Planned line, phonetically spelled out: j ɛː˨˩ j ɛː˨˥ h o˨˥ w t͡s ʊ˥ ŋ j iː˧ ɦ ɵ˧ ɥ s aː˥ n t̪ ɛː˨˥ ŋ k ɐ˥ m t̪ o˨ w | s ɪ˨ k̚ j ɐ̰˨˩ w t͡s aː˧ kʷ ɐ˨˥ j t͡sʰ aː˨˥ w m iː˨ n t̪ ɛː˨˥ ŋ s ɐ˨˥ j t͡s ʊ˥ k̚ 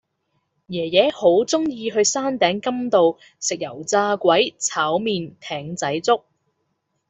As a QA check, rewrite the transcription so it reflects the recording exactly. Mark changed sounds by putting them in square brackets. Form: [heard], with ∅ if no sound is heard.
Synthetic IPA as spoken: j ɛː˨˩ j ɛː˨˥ h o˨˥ w t͡s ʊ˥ ŋ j iː˧ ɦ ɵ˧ ɥ s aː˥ n t̪ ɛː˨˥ ŋ k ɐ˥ m t̪ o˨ w | s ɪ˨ k̚ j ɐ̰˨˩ w t͡s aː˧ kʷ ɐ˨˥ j t͡sʰ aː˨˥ w m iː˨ n [t̪ʰ] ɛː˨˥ ŋ [t͡s] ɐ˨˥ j t͡s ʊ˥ k̚